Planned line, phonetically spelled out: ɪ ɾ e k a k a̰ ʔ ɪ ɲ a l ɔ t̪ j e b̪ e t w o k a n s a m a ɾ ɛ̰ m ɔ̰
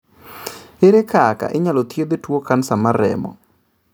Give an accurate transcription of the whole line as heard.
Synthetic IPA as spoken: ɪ ɾ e k a k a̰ ʔ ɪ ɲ a l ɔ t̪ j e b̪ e t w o k a n s a m a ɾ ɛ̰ m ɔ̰